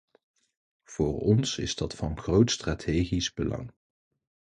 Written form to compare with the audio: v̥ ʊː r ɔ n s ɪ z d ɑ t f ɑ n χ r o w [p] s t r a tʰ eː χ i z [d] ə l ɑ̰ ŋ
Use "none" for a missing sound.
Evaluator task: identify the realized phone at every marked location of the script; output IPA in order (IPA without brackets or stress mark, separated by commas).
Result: t, b